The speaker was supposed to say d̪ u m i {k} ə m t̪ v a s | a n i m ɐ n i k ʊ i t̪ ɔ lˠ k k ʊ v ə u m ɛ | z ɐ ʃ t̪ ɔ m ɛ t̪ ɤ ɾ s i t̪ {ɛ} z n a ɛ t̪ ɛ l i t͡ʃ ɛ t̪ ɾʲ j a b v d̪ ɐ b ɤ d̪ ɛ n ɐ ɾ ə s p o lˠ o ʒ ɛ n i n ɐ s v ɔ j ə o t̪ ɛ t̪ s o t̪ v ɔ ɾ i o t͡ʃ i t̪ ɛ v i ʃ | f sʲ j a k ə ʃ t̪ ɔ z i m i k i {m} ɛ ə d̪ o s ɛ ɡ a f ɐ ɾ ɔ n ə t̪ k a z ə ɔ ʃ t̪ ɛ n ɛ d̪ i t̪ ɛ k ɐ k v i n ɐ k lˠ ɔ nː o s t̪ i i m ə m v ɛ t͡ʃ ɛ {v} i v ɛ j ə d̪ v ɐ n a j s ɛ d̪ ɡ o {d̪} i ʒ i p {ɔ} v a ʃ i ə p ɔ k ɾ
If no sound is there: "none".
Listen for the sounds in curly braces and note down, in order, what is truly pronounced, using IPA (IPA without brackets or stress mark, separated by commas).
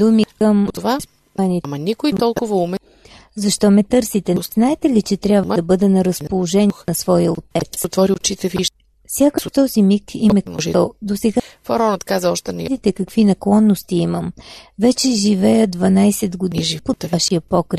k, ɛ, m, ʒ, d̪, o